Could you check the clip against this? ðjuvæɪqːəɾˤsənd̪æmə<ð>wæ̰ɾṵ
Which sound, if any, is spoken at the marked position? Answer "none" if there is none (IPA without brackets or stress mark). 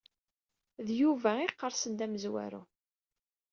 z